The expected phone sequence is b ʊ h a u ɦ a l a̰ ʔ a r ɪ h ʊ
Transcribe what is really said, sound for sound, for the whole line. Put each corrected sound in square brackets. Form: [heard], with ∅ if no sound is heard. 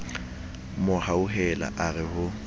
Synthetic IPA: [m] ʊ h a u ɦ [ɛ] l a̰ ʔ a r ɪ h ʊ